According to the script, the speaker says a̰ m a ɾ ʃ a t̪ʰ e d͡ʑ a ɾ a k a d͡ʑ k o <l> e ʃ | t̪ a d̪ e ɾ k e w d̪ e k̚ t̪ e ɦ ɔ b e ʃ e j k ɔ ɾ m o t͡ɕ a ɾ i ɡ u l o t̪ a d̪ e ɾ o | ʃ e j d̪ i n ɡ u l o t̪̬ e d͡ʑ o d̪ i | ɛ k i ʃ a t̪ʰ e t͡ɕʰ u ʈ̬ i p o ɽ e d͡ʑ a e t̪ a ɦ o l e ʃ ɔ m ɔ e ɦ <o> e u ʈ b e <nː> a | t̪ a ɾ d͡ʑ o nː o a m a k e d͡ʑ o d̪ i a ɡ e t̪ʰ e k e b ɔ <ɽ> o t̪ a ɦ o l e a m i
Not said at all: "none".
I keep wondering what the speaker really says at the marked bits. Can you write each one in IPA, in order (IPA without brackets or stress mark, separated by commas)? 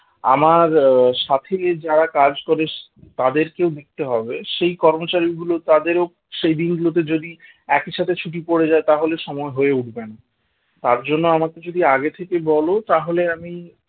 ɾ, o, n, l